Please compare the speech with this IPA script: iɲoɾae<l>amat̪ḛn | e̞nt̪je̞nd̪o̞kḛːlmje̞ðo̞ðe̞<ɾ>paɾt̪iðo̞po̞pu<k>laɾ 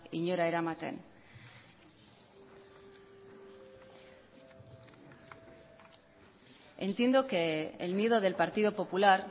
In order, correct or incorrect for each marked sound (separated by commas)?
incorrect, incorrect, incorrect